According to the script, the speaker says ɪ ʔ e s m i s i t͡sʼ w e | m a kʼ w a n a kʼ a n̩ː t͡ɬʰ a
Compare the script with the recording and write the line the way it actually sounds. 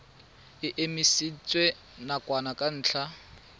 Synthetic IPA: ɪ ʔ e m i s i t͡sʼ w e | n a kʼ w a n a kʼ a n̩ː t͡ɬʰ a